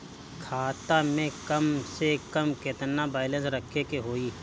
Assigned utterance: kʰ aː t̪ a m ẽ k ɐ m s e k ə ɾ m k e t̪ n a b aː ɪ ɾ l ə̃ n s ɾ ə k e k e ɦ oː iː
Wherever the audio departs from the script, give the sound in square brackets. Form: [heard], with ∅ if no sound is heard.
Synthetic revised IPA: kʰ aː t̪ a m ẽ k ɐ m s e k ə [∅] m k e t̪ n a b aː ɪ [∅] l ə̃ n s ɾ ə [kʰ] e k e ɦ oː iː